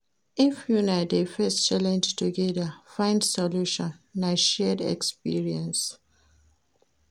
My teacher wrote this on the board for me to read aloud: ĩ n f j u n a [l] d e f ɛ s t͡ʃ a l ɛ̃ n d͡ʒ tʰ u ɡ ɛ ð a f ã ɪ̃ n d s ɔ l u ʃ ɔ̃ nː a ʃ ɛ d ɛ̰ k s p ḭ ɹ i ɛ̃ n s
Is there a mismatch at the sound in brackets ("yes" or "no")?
yes